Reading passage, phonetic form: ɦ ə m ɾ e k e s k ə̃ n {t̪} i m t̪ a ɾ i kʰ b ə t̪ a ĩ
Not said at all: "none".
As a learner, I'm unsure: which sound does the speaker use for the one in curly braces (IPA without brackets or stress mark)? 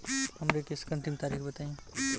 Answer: t̪